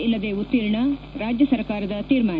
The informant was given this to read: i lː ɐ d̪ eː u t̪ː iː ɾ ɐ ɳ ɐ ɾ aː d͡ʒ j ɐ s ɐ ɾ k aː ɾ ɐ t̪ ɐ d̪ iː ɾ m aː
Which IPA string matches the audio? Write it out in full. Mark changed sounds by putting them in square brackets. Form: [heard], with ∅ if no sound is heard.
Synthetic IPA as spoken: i lː ɐ d̪ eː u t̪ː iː ɾ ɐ ɳ ɐ ɾ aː d͡ʒ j ɐ s ɐ ɾ k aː ɾ ɐ [d̪] ɐ [t̪] iː ɾ m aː